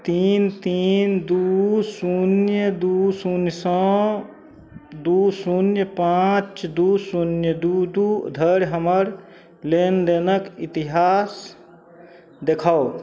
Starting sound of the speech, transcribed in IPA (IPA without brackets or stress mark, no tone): t̪